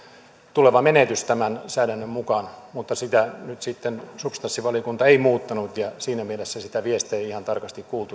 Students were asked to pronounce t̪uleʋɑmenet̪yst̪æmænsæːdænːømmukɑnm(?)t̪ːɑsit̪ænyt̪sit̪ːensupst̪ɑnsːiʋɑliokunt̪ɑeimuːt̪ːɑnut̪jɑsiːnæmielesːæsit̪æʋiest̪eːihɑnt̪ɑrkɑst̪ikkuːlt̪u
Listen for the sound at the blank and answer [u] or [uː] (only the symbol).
u